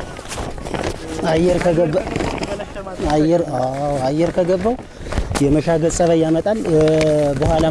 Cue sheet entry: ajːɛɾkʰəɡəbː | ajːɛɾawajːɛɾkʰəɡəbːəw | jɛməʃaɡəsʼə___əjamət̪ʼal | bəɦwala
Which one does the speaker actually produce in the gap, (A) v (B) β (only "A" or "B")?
B